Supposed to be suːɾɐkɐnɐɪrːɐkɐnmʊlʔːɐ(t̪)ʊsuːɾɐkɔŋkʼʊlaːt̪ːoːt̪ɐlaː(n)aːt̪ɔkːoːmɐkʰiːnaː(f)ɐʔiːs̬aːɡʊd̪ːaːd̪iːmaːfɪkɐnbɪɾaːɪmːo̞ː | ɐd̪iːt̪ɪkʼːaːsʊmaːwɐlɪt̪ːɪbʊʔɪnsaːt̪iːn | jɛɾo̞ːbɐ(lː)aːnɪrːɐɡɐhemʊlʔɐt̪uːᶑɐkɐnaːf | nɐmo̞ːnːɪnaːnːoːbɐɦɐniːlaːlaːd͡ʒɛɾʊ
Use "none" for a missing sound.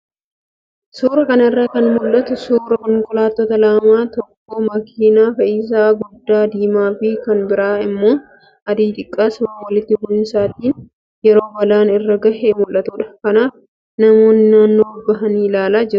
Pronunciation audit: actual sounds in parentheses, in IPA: t̪, m, f, l

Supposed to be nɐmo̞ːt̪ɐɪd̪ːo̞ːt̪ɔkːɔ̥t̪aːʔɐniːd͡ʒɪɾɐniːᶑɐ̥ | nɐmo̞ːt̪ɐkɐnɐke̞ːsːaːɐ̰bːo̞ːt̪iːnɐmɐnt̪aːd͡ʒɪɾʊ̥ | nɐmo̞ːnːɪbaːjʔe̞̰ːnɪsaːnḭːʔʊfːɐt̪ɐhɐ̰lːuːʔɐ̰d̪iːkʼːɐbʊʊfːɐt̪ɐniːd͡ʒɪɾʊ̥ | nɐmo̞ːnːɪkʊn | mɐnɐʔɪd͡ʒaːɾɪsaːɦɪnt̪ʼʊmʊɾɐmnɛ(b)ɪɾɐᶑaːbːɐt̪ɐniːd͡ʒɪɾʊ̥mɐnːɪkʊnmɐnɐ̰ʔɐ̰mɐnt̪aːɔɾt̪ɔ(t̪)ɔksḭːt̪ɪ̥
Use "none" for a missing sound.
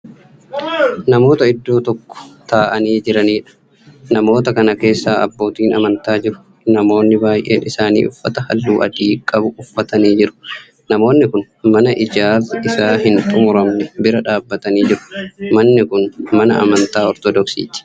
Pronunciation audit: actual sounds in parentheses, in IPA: b, d̪

